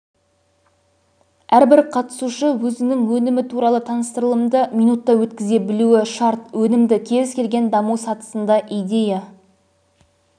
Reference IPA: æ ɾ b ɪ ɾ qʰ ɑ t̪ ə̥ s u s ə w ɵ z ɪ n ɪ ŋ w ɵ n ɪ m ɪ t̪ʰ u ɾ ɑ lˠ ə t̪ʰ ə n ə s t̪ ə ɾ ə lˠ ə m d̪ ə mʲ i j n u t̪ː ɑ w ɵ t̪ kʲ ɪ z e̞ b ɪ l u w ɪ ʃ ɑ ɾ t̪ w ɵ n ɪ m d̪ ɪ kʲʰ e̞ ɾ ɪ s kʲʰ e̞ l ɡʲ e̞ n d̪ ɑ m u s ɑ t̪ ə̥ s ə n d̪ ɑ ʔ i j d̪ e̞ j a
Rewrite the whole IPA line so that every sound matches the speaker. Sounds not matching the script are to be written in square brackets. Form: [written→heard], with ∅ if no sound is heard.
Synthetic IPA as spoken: æ ɾ b ɪ ɾ qʰ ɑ t̪ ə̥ s u [s→ʃ] ə w ɵ z ɪ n ɪ ŋ w ɵ n ɪ m ɪ t̪ʰ u ɾ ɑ lˠ ə t̪ʰ [ə→ɑ] n ə s t̪ ə ɾ ə lˠ ə m d̪ ə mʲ i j n u t̪ː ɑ w ɵ t̪ kʲ ɪ z e̞ b ɪ l u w ɪ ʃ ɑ ɾ t̪ w ɵ n ɪ m d̪ ɪ kʲʰ e̞ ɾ ɪ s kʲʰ e̞ l ɡʲ e̞ n d̪ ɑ m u s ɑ t̪ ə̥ s ə n d̪ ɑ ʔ i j d̪ e̞ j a